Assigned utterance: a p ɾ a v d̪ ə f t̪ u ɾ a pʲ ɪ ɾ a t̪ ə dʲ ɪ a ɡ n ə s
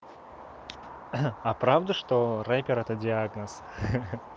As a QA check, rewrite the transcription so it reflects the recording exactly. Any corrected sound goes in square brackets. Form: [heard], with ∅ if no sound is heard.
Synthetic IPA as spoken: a p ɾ a v d̪ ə [ʂ] t̪ [o] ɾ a pʲ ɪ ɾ [ɛ] t̪ ə dʲ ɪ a ɡ n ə s